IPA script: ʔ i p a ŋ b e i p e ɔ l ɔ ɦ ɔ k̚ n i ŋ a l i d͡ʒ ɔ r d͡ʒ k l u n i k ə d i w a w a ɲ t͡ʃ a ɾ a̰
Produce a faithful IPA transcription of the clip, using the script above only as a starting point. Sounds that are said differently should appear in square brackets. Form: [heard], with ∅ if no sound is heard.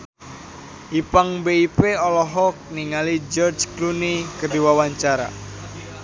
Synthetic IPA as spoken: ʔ i p a ŋ b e i p e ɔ l ɔ ɦ ɔ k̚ n i ŋ a l i d͡ʒ ɔ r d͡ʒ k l u n i k ə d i w a w a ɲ t͡ʃ a ɾ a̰